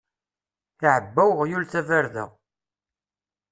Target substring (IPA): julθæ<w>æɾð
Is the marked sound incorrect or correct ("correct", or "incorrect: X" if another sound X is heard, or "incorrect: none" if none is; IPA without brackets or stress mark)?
incorrect: v